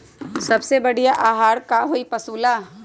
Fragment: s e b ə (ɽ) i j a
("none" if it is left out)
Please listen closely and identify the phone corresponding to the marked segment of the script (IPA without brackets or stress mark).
ɽ